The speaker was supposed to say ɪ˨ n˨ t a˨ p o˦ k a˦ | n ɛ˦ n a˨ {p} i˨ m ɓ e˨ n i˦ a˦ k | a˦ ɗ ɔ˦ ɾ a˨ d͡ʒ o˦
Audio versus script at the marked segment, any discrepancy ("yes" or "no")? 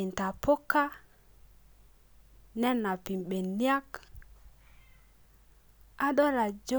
no